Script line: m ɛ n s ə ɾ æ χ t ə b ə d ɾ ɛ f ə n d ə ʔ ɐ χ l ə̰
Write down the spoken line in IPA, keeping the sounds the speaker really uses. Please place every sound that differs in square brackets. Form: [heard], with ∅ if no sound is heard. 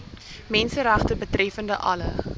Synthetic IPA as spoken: m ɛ n s ə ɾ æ χ t ə b ə [t] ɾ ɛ f ə n d ə ʔ ɐ [∅] l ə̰